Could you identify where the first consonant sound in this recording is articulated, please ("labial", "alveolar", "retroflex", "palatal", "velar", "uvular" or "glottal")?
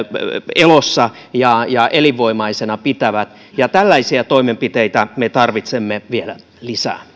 alveolar